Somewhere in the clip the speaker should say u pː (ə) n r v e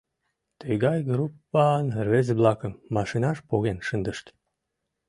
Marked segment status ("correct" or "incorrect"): incorrect